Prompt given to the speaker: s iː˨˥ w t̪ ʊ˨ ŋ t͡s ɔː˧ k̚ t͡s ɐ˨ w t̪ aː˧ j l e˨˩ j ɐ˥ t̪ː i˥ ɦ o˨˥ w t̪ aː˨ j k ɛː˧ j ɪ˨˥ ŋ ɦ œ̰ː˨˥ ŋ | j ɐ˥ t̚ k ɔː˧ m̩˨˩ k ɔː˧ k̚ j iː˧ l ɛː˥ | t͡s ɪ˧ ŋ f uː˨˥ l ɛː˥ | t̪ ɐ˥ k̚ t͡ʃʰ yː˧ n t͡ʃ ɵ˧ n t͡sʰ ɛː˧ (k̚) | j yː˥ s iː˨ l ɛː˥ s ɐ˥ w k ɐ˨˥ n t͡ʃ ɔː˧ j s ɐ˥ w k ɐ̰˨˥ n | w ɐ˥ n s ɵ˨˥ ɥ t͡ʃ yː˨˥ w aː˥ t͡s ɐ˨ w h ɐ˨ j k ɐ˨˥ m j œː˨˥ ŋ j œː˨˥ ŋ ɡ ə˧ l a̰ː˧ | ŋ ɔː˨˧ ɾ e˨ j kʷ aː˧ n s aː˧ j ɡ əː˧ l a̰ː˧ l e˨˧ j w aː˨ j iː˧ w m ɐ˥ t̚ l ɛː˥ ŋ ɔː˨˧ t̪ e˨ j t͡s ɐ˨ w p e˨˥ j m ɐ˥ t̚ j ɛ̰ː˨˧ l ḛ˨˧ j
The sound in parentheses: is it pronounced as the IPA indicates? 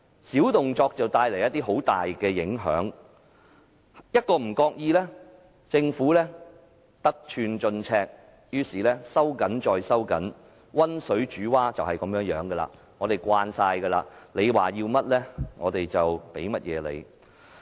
yes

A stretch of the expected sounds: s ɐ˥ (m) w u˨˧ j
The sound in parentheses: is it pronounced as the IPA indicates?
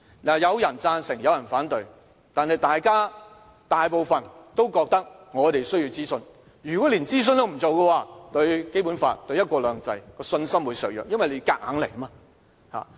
yes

